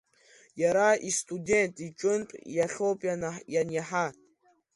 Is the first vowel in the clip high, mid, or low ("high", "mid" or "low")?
low